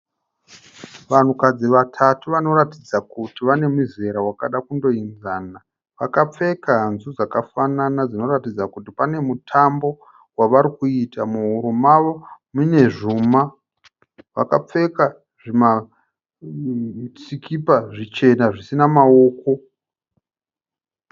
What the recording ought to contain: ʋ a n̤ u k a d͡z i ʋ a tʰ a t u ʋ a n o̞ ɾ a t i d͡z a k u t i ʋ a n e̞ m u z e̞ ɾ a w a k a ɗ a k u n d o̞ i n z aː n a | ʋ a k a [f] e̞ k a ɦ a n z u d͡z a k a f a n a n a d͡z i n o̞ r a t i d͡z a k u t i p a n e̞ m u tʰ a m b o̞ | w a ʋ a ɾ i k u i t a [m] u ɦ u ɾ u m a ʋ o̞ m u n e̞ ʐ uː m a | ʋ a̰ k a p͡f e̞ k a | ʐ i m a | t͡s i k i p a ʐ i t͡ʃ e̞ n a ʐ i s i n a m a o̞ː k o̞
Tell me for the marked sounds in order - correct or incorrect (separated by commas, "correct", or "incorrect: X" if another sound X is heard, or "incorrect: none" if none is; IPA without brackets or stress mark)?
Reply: incorrect: p͡f, correct